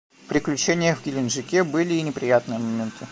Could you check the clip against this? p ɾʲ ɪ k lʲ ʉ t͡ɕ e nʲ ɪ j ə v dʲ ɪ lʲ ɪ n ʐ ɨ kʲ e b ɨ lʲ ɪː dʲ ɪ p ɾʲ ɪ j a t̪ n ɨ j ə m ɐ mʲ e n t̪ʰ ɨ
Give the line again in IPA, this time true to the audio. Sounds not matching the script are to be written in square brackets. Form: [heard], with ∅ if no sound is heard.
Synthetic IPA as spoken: p ɾʲ ɪ k lʲ ʉ t͡ɕ e nʲ ɪ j ə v [ɡʲ] ɪ lʲ ɪ n ʐ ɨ kʲ e b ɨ lʲ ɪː [nʲ] ɪ p ɾʲ ɪ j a t̪ n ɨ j ə m ɐ mʲ e n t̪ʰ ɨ